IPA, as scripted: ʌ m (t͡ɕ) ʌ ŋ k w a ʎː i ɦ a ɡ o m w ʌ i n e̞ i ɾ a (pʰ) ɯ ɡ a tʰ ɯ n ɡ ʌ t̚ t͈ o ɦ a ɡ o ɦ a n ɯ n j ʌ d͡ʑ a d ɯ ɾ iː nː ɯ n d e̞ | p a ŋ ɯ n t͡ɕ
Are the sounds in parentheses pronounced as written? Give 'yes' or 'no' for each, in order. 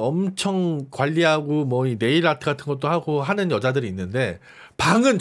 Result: no, no

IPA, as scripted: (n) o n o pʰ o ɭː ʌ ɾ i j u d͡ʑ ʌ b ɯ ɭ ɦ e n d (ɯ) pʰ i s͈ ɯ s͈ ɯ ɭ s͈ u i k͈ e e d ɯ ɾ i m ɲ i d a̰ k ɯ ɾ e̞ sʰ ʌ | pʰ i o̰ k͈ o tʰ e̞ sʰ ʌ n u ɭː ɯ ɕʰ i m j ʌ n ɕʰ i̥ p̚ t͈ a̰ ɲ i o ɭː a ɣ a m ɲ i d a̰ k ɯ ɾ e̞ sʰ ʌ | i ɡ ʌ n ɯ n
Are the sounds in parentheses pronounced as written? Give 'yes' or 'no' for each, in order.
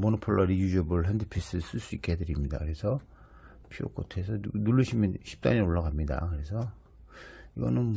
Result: no, yes

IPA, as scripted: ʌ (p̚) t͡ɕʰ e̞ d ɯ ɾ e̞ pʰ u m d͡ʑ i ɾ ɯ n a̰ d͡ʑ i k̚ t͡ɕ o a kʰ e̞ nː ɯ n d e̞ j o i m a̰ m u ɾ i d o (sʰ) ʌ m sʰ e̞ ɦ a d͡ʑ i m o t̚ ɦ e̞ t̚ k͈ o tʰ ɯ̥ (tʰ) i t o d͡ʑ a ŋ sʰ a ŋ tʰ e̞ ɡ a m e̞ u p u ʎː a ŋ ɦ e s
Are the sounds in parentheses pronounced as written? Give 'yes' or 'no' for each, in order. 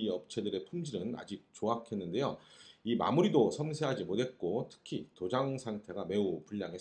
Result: yes, yes, no

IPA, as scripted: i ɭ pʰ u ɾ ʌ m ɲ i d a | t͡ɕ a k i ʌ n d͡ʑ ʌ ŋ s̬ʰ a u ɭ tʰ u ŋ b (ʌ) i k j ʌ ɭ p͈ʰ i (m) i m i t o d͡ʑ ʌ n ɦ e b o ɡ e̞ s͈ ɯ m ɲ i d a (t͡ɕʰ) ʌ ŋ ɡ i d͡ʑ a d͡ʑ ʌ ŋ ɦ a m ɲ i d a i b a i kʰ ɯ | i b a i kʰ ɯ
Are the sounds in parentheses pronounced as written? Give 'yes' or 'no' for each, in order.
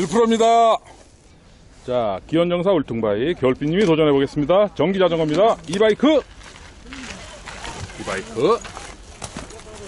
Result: no, no, no

